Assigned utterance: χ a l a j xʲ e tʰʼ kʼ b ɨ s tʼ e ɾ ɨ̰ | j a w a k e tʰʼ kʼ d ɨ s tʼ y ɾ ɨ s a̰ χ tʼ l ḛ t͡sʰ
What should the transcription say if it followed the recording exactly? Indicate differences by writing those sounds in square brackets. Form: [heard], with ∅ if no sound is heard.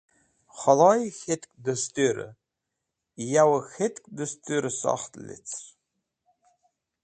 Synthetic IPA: χ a l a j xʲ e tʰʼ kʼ [d] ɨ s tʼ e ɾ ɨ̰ | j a w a [x] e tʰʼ kʼ d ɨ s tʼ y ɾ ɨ s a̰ χ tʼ l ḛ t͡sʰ